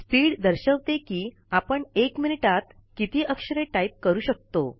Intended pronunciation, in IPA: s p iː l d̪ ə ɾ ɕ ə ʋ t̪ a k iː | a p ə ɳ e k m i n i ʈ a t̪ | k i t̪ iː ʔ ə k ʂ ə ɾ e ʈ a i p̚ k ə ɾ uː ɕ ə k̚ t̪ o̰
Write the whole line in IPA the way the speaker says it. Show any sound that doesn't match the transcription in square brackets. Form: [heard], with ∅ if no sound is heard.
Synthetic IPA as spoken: s p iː [ɽ] d̪ ə ɾ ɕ ə ʋ t̪ [e] k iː | a p ə ɳ e k m i n i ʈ a t̪ | k i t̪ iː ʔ ə k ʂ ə ɾ e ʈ a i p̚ k ə ɾ uː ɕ ə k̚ t̪ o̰